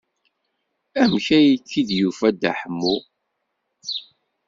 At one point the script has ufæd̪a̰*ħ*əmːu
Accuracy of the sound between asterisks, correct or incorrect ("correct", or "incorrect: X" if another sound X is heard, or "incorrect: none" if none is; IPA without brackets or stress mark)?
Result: correct